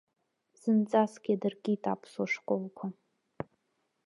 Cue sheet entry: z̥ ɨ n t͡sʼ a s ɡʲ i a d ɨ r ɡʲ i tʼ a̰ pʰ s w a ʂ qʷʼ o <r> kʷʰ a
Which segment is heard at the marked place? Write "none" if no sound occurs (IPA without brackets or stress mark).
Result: l